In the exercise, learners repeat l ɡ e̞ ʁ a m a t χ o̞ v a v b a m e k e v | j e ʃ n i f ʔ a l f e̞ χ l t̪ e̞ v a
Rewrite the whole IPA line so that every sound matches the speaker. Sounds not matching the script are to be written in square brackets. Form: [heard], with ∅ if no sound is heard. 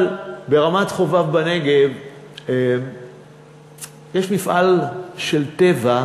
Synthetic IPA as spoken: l [b] e̞ ʁ a m a t χ o̞ v a v b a [n] e [ɡ] e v | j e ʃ [m] i f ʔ a l [ʃ] e̞ [∅] l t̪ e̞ v a